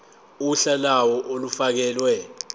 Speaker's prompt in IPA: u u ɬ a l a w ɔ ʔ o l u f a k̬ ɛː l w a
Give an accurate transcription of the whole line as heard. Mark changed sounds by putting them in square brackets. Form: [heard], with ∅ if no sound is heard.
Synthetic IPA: u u ɬ a l a w ɔ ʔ o l u f a k̬ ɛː l w [ɛ]